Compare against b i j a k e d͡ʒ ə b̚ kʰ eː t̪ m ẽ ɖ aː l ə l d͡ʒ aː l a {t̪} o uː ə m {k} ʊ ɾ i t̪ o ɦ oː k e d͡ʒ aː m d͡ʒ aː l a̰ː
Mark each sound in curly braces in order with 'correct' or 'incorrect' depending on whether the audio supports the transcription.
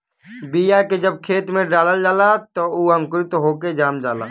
correct, correct

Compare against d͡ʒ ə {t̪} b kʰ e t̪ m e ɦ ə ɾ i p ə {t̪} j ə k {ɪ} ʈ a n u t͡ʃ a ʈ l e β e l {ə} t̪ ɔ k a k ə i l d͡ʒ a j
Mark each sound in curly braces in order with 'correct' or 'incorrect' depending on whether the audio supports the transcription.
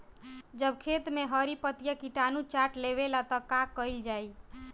incorrect, correct, incorrect, incorrect

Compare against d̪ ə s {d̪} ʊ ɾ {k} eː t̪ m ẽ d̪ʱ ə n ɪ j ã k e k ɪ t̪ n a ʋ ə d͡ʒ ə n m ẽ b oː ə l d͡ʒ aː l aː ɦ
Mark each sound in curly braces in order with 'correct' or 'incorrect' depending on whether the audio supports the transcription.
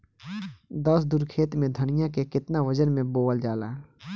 correct, incorrect

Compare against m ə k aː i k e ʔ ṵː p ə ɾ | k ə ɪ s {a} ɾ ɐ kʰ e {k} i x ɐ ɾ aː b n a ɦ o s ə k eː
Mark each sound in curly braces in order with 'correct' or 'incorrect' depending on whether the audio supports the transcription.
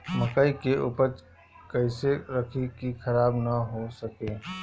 incorrect, correct

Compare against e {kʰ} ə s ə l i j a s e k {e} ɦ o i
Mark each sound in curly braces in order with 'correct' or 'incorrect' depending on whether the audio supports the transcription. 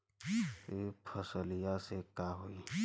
incorrect, incorrect

